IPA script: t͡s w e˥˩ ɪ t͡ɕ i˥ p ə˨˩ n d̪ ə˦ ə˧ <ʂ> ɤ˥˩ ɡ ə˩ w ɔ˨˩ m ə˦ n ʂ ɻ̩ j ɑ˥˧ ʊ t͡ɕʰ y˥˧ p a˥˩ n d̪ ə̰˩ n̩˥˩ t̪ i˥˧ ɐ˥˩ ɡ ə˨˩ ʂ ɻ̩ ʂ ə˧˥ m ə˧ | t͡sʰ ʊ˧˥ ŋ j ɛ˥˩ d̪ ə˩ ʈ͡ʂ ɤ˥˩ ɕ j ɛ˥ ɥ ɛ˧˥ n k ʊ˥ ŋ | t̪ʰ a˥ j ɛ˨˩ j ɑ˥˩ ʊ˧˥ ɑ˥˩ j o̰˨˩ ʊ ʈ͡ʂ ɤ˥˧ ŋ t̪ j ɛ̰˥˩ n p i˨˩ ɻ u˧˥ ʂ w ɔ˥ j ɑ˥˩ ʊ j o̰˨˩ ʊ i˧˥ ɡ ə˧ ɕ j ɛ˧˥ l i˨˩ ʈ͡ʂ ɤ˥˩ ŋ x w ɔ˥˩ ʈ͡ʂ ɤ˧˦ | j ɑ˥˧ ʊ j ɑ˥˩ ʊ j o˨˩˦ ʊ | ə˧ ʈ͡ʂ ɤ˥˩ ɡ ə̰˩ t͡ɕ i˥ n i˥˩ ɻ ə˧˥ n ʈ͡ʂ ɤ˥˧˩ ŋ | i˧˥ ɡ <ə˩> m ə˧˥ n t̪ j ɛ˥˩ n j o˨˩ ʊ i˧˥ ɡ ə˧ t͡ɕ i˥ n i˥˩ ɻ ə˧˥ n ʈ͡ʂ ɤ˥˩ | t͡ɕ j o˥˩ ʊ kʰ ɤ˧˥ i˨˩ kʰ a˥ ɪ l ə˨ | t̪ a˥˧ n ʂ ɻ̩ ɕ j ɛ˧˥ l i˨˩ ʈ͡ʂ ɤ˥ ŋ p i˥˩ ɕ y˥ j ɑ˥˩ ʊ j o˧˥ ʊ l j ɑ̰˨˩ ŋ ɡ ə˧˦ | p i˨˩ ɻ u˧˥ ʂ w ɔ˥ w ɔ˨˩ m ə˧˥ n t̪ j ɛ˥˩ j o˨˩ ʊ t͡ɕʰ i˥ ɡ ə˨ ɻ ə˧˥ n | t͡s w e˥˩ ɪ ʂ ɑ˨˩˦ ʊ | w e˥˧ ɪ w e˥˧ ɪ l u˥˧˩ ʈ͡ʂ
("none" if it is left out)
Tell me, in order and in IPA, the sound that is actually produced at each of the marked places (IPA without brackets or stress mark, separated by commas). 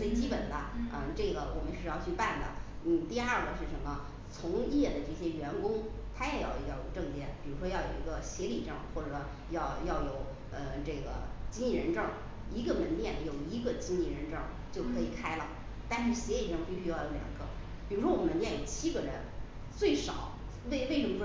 ʈ͡ʂ, ə˧